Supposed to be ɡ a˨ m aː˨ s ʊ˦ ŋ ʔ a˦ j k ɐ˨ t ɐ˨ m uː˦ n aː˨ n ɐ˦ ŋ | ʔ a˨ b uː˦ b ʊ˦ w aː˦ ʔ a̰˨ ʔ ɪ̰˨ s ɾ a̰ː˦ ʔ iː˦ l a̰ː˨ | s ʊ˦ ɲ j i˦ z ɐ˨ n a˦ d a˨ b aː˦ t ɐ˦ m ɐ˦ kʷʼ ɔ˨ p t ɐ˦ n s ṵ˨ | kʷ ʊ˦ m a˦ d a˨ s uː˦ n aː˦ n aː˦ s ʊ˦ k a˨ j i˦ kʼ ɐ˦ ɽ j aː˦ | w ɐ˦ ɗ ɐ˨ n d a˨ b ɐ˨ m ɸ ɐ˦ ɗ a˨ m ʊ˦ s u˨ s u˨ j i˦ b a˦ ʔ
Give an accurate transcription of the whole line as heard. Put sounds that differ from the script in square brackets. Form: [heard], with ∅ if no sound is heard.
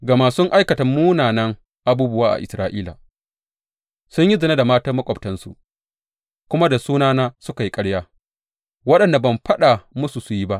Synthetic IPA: ɡ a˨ m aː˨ s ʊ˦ ŋ ʔ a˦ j k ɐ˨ t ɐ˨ m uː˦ n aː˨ n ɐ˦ ŋ | ʔ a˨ b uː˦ b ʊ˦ w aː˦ ʔ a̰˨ ʔ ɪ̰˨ s ɾ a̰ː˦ ʔ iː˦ l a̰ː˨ | s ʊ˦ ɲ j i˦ z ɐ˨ n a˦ d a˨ [m] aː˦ t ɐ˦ m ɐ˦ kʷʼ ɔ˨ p t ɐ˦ n s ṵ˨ | kʷ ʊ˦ m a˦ d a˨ s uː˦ n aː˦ n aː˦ s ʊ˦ k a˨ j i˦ kʼ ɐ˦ ɽ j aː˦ | w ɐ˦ ɗ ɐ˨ n d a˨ b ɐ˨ m ɸ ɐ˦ ɗ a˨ m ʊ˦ s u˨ s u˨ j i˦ b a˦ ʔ